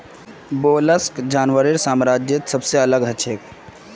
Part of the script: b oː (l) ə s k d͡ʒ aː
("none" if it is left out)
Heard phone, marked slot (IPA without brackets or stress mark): l